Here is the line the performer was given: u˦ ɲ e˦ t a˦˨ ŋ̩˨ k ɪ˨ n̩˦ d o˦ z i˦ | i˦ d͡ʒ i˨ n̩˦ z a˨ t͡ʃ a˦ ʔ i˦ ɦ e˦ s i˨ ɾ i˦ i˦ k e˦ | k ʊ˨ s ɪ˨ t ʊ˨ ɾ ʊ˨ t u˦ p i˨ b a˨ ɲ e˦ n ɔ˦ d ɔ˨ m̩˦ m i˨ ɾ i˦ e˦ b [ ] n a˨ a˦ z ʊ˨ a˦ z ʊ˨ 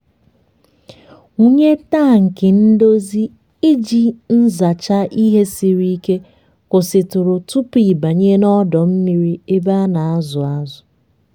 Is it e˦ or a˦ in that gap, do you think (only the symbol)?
a˦